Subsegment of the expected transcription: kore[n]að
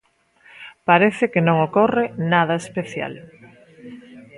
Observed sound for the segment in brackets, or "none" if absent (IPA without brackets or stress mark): n